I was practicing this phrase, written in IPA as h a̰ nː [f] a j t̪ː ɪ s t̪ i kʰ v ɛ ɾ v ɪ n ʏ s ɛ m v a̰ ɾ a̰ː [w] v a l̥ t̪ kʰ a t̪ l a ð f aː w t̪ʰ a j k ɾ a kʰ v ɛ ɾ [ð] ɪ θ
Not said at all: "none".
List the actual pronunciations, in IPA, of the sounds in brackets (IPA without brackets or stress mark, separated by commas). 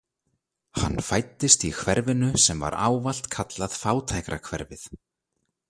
f, w, v